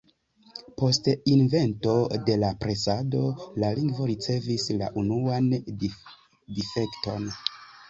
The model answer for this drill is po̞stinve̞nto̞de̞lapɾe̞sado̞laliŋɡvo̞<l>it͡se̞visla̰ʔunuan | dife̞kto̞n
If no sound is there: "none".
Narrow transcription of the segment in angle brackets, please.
ɾ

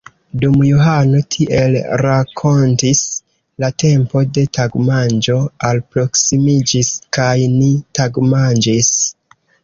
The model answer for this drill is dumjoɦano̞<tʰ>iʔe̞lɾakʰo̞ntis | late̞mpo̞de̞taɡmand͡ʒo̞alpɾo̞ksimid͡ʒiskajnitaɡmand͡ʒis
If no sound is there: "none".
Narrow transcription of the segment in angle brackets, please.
tʰ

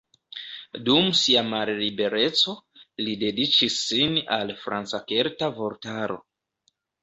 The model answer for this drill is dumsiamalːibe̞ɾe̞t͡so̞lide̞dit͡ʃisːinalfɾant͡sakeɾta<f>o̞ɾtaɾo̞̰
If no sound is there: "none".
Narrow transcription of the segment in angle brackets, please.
v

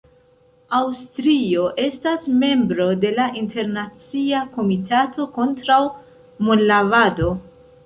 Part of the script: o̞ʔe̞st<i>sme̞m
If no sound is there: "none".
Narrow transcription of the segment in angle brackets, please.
a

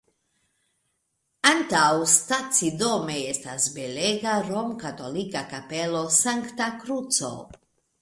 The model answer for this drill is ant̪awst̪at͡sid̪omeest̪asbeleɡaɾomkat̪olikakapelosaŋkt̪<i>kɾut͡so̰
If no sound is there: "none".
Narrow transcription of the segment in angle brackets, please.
a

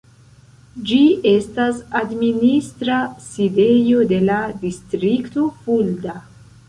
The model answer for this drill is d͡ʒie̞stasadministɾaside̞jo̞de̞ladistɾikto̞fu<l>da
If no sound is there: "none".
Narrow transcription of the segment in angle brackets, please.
l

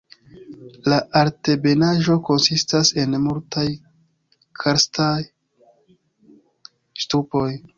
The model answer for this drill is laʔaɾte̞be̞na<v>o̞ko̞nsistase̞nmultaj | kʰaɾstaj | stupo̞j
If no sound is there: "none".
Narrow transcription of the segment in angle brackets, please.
ʒ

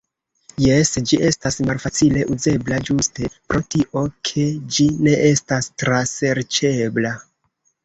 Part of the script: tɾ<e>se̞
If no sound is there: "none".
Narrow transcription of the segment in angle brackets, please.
a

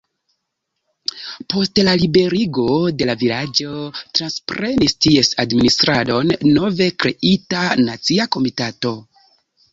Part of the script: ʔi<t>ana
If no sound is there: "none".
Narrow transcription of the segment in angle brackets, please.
t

